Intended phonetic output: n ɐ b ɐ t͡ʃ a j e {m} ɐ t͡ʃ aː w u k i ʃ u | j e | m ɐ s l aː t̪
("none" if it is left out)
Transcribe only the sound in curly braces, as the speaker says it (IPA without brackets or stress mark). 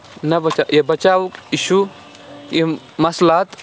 b